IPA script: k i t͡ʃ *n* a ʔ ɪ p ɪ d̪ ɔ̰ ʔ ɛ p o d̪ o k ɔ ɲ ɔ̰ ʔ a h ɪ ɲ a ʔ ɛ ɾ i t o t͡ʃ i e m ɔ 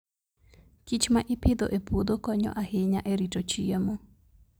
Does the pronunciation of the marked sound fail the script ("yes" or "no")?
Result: yes